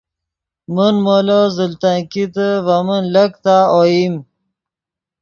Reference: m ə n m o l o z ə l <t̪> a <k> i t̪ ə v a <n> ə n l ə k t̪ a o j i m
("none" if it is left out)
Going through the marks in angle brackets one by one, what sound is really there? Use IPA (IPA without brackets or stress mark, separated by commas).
t̪, k, m